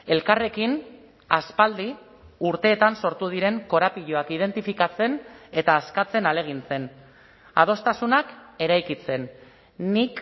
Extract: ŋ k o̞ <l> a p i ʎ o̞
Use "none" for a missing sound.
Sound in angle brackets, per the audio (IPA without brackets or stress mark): ɾ